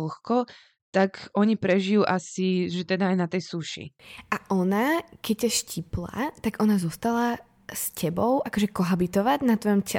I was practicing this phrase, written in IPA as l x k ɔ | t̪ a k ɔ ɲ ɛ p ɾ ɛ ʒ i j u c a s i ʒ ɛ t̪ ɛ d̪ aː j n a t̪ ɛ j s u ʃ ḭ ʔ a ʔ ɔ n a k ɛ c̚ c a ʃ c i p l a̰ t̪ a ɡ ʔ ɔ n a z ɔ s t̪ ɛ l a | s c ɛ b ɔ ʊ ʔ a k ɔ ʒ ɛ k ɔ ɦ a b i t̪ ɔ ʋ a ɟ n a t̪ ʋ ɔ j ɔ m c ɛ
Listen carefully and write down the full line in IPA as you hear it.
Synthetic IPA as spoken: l x k ɔ | t̪ a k ɔ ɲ i p ɾ ɛ ʒ i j u ʔ a s i ʒ ɛ t̪ ɛ d̪ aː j n a t̪ ɛ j s u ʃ ḭ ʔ a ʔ ɔ n a k ɛ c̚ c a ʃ c i p l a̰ t̪ a ɡ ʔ ɔ n a z ɔ s t̪ a l a | s c ɛ b ɔ ʊ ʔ a k ɔ ʒ ɛ k ɔ ɦ a b i t̪ ɔ ʋ a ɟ n a t̪ ʋ ɔ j ɔ m c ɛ